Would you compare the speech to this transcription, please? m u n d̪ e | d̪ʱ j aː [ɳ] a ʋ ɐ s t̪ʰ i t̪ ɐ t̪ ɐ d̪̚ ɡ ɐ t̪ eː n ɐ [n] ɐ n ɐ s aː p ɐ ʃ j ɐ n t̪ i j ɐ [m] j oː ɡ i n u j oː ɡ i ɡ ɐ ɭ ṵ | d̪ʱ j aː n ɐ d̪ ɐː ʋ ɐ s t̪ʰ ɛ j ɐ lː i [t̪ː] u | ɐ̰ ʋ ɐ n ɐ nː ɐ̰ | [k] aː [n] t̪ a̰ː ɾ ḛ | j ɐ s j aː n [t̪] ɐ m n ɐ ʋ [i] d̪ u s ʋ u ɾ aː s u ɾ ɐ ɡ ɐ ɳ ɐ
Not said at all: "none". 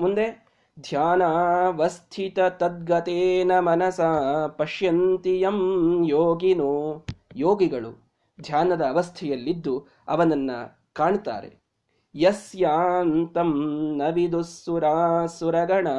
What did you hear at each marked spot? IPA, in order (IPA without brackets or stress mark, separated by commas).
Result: n, m, m, d̪ː, k, ɳ, t̪, i